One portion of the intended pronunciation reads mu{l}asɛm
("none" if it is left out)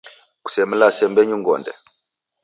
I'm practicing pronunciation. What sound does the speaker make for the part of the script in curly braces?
l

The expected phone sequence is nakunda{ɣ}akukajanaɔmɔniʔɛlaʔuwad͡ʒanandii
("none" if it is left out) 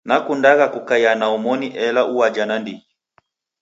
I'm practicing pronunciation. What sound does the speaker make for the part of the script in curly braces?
ɣ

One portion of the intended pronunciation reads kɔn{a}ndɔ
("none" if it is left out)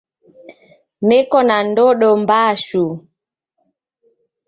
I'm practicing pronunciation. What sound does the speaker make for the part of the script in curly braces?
a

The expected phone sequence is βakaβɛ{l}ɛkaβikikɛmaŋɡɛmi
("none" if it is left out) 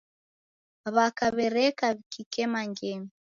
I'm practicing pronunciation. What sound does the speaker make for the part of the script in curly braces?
ɾ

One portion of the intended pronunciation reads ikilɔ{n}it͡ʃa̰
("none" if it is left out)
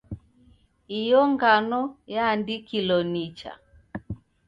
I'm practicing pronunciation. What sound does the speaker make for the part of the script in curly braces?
n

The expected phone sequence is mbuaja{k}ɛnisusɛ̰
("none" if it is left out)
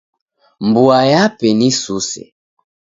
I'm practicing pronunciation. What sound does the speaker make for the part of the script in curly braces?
p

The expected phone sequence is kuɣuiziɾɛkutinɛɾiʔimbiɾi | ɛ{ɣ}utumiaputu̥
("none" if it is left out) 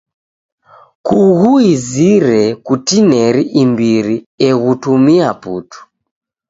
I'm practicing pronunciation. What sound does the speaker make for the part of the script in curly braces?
ɣ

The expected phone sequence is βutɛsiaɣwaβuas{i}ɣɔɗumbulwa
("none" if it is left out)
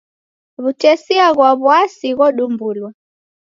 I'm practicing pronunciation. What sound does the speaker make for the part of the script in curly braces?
i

